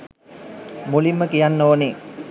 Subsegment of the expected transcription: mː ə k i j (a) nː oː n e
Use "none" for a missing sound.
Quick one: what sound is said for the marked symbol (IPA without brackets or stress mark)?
a